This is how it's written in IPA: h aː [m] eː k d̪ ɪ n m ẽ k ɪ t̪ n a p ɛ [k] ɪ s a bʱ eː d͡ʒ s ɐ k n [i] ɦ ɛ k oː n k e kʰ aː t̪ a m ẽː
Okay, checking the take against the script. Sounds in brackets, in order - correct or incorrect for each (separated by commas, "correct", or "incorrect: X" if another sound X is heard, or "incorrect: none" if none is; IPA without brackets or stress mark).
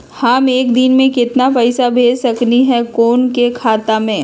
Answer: correct, incorrect: none, correct